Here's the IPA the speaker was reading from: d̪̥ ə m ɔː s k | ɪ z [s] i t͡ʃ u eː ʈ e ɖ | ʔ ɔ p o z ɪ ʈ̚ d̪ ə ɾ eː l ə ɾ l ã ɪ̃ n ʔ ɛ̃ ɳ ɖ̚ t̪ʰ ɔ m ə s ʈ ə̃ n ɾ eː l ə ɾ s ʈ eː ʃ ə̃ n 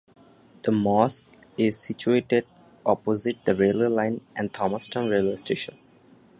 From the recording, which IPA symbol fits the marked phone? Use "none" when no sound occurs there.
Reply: s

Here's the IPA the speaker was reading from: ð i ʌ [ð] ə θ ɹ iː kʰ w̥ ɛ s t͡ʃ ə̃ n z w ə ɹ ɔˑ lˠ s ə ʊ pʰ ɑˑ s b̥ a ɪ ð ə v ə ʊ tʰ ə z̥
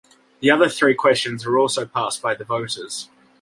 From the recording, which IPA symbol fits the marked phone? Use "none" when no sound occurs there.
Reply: ð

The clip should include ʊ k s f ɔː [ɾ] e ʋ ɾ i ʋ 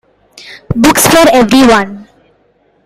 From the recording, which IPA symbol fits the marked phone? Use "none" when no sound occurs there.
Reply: ɾ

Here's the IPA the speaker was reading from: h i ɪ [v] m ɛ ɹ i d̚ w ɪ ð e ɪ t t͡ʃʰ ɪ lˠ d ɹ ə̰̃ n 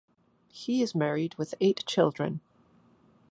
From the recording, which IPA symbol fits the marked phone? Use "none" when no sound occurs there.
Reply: z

